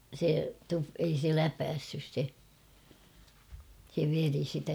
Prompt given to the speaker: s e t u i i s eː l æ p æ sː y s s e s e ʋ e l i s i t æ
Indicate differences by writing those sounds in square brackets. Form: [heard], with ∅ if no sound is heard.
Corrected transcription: s e t u [e] i s [e] l æ p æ sː y s s e s e ʋ e [r] i s i t æ

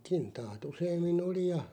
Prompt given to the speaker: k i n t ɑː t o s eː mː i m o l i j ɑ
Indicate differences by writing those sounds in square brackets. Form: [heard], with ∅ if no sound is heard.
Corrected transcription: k i n t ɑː t [u] s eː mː i [n] o l i j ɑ

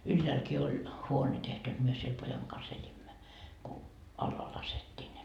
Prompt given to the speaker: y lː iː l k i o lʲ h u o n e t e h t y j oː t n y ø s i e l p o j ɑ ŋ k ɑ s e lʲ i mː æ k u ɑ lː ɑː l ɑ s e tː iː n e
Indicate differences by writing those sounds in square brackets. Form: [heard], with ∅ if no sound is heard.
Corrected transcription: y lː [æː] l k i o lʲ h u o n e t e h t y j [o] t [m] y ø s i e l p o j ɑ ŋ k ɑ s e lʲ i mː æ k u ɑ lː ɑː l ɑ s e tː iː n e

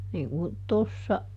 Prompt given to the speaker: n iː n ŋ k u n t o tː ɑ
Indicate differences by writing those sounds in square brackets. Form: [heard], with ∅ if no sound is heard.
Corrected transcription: n iː [∅] ŋ k u n t o [sː] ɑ

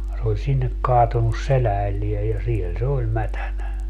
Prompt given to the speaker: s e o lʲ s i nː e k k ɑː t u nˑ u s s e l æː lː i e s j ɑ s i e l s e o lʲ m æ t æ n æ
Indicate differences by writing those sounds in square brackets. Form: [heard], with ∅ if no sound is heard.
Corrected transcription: s e o lʲ s i nː e k k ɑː t u nˑ u s s e l æː lː i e [∅] j ɑ s i e l s e o lʲ m æ t æ n æ

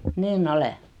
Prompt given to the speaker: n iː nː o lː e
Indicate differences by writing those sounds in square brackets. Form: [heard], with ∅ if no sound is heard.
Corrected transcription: n iː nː o [l] e

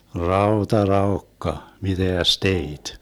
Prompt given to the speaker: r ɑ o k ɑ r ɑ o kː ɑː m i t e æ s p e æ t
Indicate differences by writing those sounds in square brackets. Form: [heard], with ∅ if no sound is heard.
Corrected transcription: r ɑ o [t] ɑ r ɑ o kː [ɑ] m i t e æ s [t] e [i] t

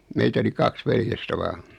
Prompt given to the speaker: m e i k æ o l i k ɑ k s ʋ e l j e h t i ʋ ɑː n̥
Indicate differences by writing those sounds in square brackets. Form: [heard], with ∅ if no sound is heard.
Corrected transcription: m e i [t] æ o l i k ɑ k s ʋ e l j e [s] t [æ] ʋ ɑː n̥

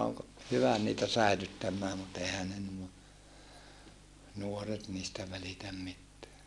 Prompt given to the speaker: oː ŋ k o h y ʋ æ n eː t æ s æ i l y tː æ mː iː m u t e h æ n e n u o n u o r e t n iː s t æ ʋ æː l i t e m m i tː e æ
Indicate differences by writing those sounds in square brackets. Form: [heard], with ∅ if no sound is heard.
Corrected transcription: oː ŋ k o h y ʋ æ n [iː] t æ s æ i l y tː æ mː [æː] m u t e h æ n e n u o n u o r e t n iː s t æ ʋ [æ] l i t [æ] m m i tː e æ

